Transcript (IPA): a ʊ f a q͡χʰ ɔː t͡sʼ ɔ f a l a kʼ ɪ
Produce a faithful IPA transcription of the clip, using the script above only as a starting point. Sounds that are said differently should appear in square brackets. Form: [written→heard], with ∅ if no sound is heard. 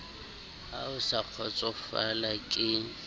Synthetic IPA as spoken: a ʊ [f→s] a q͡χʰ [ɔː→ɔ] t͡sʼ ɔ f a l a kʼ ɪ